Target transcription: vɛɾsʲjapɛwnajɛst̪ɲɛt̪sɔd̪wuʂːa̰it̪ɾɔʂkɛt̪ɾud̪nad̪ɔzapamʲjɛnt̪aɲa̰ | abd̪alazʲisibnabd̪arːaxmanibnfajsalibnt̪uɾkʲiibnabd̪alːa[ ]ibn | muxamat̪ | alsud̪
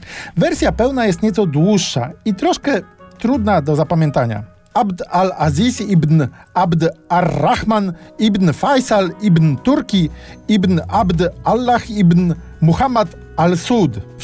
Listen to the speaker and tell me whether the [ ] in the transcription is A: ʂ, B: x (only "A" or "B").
B